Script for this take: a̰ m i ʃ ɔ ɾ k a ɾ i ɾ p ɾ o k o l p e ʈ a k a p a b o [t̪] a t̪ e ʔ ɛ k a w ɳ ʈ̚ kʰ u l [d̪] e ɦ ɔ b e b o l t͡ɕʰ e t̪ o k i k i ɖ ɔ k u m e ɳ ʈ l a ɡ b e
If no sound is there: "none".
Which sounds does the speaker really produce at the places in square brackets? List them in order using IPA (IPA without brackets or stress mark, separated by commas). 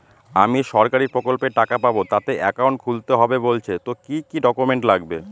t̪, t̪